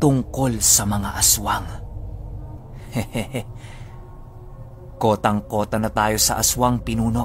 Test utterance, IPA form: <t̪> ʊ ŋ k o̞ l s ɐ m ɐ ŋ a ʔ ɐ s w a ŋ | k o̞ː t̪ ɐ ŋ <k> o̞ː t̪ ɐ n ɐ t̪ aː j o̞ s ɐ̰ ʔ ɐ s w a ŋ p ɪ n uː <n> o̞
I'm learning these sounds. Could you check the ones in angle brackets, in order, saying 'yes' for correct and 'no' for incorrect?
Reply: yes, yes, yes

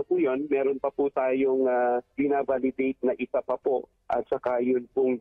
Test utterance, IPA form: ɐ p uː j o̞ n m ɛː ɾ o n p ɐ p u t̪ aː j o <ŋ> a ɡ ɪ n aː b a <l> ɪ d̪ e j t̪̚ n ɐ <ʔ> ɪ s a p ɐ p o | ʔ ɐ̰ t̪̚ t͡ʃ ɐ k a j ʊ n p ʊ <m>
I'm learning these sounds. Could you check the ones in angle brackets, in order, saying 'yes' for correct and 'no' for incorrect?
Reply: yes, yes, yes, no

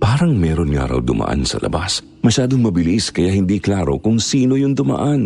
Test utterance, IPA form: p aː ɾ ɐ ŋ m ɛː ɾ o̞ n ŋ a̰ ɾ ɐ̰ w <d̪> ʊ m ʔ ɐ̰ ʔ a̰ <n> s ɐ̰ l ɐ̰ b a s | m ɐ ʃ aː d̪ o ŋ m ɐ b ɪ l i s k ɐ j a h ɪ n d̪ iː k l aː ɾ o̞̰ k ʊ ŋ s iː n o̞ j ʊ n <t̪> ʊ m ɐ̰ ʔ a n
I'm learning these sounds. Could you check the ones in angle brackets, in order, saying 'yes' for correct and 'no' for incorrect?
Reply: yes, yes, no

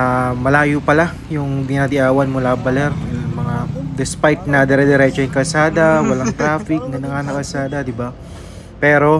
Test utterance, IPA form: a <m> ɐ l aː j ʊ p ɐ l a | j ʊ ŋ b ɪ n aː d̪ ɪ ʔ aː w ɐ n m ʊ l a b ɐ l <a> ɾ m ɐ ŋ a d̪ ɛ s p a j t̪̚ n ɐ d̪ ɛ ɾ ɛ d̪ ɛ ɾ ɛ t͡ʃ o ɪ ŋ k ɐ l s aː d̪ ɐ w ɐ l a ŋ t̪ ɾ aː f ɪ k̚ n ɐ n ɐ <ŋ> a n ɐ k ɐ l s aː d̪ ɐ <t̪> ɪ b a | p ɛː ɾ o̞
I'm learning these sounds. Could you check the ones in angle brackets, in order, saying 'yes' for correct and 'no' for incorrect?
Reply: yes, no, yes, no

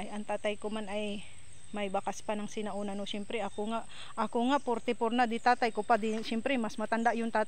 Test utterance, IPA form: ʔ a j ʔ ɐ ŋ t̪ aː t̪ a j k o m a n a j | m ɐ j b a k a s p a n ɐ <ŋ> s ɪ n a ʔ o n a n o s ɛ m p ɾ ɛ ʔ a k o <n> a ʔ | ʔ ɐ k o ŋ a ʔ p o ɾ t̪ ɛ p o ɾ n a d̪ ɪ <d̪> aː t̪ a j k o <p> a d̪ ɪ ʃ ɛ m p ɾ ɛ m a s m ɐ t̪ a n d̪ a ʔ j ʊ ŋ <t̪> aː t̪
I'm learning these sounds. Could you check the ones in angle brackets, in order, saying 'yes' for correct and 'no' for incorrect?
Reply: yes, no, no, yes, yes

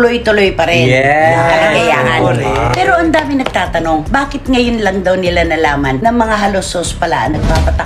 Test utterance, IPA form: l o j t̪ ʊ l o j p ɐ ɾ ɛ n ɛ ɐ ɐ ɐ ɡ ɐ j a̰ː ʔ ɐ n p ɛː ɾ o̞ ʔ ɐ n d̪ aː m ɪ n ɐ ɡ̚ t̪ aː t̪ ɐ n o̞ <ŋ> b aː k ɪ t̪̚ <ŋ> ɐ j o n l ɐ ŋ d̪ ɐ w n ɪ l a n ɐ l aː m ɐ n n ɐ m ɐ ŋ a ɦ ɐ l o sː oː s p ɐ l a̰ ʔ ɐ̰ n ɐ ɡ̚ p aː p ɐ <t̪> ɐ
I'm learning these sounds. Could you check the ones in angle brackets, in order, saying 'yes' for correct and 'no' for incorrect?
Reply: yes, yes, yes

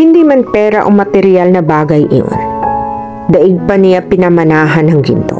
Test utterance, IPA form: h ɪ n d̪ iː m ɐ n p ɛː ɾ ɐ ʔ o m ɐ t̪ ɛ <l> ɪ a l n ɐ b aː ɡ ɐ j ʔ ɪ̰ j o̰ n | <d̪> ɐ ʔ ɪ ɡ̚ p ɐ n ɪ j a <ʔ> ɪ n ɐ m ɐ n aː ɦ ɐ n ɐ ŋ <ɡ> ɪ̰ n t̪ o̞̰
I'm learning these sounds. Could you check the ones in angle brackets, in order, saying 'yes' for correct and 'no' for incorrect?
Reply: no, yes, no, yes

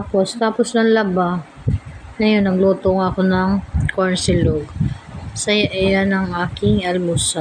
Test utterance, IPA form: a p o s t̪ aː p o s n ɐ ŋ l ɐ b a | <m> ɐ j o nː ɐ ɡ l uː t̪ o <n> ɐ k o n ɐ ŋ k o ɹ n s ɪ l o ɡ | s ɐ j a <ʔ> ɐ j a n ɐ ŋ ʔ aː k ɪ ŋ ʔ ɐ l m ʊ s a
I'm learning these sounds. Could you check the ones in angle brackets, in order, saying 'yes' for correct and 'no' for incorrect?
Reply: no, no, yes

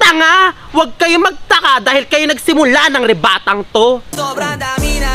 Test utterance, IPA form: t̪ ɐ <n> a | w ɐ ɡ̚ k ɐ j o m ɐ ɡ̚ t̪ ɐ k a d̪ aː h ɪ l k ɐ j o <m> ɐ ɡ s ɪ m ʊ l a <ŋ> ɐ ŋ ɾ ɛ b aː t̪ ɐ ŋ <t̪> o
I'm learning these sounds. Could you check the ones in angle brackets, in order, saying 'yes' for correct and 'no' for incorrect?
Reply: no, no, no, yes

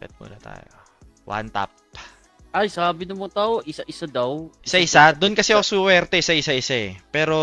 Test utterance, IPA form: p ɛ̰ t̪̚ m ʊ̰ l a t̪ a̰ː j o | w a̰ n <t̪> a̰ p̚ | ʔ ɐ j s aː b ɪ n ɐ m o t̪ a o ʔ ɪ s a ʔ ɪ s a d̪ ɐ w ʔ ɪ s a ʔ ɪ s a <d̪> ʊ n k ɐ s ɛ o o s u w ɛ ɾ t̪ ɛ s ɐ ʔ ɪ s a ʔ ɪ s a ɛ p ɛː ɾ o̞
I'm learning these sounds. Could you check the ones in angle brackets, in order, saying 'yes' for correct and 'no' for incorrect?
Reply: yes, yes

